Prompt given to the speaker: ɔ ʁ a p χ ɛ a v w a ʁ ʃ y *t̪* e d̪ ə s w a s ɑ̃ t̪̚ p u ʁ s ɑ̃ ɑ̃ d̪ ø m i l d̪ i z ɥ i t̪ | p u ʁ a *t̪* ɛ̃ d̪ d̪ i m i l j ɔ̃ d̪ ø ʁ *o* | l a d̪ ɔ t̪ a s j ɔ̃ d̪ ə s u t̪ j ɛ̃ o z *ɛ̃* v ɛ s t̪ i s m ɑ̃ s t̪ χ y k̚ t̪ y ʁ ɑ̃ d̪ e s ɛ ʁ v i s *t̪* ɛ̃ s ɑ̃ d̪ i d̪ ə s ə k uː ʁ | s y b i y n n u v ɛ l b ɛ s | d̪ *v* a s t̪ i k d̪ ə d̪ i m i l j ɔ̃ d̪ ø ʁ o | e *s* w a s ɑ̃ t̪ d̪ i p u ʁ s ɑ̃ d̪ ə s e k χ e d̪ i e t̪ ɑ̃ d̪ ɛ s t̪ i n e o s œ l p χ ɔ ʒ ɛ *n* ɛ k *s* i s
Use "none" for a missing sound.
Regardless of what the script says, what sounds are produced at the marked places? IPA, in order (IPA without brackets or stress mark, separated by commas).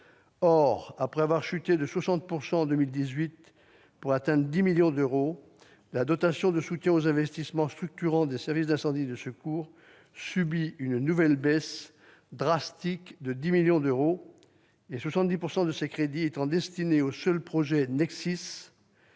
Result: t̪, t̪, o, ɛ̃, d̪, ʁ, s, n, s